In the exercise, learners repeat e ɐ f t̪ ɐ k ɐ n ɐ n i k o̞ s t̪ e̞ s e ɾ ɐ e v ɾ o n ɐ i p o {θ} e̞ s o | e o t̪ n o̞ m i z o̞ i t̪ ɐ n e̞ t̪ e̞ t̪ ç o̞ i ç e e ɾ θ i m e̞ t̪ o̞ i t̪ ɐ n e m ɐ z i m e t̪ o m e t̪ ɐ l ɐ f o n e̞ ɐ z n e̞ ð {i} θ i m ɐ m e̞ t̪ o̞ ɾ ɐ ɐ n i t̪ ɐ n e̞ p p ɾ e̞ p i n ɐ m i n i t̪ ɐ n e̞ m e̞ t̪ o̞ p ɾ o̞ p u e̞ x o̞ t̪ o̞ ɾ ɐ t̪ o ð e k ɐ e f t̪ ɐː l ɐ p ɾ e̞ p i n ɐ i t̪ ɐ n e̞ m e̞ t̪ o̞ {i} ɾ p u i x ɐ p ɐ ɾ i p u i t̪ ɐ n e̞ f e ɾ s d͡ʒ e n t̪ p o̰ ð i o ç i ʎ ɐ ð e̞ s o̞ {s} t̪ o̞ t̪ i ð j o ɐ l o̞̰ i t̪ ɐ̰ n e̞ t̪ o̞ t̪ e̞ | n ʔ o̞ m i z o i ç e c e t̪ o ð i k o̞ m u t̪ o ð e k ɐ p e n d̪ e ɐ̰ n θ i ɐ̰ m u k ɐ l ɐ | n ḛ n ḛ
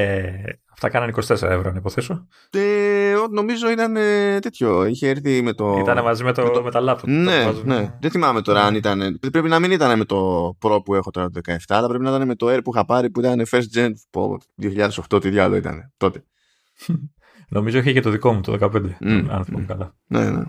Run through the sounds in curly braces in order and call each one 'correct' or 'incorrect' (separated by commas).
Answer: correct, incorrect, incorrect, incorrect